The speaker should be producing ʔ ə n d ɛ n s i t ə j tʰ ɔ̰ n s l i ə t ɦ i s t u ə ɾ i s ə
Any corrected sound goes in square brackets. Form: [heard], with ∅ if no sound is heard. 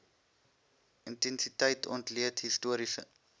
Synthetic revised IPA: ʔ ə n [t] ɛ n s i t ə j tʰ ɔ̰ n [t] l i ə t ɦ i s t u ə ɾ i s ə